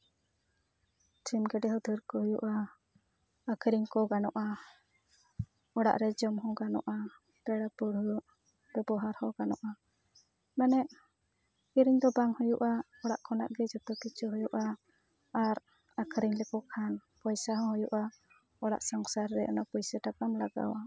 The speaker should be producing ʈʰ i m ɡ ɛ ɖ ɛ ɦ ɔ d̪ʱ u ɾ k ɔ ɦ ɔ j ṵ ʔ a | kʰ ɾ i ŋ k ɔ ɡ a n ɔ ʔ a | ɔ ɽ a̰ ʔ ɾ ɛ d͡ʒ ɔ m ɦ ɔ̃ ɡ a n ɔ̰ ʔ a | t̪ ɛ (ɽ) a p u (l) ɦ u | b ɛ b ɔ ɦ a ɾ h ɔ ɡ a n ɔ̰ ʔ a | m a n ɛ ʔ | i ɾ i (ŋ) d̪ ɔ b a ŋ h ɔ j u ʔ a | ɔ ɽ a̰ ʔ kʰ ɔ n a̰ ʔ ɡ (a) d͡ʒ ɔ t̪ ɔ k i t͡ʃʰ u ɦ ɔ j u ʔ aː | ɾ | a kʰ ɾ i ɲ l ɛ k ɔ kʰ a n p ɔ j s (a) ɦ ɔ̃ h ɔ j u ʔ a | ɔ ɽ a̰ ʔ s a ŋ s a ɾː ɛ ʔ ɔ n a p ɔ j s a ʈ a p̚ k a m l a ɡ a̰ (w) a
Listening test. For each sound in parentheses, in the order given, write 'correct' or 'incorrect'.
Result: correct, incorrect: ɾ, incorrect: ɲ, incorrect: ɛ, correct, correct

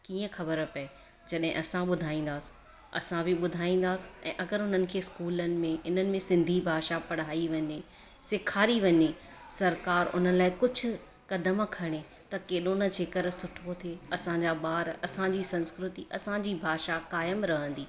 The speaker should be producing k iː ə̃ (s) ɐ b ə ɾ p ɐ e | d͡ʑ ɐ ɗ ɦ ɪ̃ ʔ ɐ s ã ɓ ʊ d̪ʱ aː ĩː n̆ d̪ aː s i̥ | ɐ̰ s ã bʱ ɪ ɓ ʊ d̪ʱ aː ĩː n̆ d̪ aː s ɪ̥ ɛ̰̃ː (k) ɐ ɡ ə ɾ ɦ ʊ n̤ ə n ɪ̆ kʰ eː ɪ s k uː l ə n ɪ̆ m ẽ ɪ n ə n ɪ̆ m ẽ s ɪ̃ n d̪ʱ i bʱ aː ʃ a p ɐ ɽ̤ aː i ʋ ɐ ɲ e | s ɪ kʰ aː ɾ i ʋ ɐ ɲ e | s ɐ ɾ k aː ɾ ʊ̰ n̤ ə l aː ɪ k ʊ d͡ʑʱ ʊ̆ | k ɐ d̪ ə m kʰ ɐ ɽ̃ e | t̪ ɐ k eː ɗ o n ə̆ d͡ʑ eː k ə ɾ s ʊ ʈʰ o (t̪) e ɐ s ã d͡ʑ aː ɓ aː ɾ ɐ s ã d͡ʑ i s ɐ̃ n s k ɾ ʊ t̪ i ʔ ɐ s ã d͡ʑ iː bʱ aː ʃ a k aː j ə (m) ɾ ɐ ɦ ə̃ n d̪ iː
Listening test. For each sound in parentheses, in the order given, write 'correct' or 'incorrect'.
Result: incorrect: x, incorrect: ʔ, incorrect: t̪ʰ, correct

